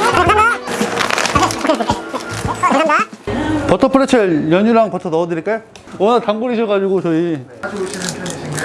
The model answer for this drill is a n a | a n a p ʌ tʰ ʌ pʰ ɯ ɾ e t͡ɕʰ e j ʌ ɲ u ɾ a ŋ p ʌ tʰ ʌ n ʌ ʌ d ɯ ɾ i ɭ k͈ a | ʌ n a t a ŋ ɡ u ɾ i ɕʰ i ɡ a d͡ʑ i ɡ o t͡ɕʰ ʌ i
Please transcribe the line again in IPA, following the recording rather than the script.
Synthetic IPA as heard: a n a | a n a p ʌ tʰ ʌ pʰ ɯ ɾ e t͡ɕʰ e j ʌ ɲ u ɾ a ŋ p ʌ tʰ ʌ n ʌ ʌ d ɯ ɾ i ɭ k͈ e | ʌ n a t a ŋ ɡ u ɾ i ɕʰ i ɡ a d͡ʑ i ɡ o t͡ɕ ʌ i